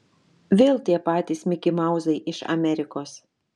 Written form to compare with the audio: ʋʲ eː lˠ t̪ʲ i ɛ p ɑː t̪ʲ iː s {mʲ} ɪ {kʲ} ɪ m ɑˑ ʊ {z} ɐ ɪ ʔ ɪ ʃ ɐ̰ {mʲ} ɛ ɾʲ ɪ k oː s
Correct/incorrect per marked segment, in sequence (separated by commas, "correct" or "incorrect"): correct, correct, correct, correct